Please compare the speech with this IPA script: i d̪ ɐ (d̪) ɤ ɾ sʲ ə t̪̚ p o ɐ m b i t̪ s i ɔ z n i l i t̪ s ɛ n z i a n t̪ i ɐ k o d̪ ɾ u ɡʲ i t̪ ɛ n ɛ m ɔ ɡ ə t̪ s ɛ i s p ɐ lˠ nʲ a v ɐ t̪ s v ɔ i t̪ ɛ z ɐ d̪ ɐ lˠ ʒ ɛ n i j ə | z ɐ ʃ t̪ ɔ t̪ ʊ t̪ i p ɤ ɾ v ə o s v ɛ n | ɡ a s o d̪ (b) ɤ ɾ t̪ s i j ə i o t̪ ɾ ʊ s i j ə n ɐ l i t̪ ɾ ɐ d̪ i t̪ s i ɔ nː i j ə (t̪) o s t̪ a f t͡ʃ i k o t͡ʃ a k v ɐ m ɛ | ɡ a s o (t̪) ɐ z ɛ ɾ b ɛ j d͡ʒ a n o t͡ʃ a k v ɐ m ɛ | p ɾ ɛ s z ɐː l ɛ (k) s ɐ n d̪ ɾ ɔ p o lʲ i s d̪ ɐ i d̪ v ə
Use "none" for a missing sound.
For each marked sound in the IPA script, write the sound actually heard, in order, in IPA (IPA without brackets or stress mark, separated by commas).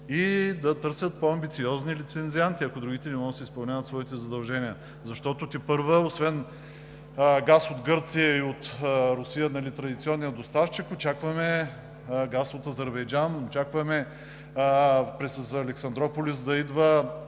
t̪, ɡ, d̪, t̪, k